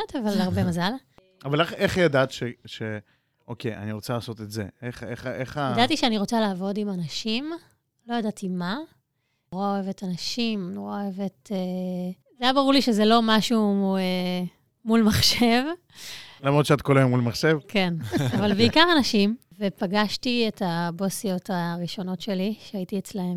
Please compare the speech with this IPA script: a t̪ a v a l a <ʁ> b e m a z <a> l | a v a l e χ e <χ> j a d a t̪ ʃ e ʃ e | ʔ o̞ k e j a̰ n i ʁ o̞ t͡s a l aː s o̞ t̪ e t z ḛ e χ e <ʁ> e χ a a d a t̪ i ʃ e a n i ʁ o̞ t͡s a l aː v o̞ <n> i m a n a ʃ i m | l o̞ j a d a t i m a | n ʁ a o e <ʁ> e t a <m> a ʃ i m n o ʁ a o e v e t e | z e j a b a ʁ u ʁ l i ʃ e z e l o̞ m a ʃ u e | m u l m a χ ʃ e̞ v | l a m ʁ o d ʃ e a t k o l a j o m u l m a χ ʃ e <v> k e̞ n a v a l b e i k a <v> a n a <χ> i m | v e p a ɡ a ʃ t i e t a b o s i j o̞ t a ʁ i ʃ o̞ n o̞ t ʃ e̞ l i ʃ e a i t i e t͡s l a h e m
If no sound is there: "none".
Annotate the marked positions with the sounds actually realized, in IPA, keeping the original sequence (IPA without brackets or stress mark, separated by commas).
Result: ʁ, a, χ, χ, d, v, n, v, ʁ, ʃ